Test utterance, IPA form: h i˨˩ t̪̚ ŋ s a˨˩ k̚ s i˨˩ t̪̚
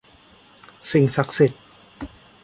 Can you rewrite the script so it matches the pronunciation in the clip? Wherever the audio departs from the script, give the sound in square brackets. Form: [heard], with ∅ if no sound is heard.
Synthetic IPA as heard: [s] i˨˩ [∅] ŋ s a˨˩ k̚ s i˨˩ t̪̚